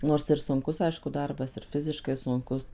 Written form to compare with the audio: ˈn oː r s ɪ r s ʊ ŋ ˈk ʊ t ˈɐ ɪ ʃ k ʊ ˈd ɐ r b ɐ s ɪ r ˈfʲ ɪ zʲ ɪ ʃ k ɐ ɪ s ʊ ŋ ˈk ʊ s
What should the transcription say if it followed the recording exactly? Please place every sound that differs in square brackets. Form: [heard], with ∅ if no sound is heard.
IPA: ˈn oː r s ɪ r s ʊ ŋ ˈk ʊ [s] ˈɐ ɪ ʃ k ʊ ˈd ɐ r b ɐ s ɪ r ˈfʲ ɪ zʲ ɪ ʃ k ɐ ɪ s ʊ ŋ ˈk ʊ s